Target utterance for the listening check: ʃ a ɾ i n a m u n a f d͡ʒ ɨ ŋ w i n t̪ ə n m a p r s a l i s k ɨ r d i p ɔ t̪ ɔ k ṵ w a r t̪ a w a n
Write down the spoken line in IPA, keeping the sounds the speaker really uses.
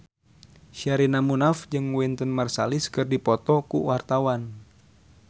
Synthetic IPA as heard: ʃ a ɾ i n a m u n a f d͡ʒ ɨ ŋ w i n t̪ ə n m a r s a l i s k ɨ r d i p ɔ t̪ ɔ k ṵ w a r t̪ a w a n